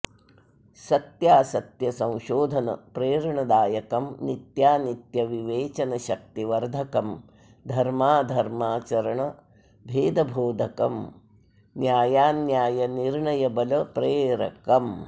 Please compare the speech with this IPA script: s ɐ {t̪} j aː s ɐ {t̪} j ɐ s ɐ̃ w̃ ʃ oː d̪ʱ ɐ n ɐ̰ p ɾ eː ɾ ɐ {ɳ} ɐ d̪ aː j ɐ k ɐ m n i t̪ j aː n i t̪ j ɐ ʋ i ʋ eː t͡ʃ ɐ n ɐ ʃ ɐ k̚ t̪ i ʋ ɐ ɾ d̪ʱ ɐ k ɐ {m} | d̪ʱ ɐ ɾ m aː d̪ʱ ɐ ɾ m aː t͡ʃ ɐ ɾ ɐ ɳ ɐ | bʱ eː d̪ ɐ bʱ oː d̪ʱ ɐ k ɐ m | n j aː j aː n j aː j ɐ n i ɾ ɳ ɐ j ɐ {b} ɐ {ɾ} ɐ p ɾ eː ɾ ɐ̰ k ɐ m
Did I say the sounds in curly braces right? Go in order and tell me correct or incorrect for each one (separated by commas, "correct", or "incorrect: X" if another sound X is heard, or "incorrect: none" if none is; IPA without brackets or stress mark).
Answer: correct, correct, correct, correct, correct, incorrect: l